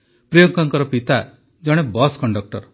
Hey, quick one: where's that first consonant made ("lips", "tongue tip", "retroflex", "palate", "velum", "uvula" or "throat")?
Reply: lips